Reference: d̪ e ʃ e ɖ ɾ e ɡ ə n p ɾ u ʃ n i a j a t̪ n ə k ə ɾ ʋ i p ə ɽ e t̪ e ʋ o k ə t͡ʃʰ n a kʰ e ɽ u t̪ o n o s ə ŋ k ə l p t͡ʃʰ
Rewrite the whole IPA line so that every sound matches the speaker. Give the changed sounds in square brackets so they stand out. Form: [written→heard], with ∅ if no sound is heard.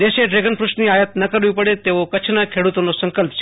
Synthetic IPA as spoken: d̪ e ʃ e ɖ ɾ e ɡ ə n p ɾ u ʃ n i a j [a→ə] t̪ n ə k ə ɾ ʋ i p ə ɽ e t̪ e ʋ o k ə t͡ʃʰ n a kʰ e ɽ u t̪ o n o s ə ŋ k ə l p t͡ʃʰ